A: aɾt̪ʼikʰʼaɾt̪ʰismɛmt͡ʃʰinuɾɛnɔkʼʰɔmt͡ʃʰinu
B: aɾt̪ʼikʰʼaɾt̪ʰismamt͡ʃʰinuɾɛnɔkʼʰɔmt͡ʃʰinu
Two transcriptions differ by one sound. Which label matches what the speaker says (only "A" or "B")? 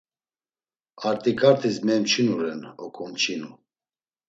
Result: A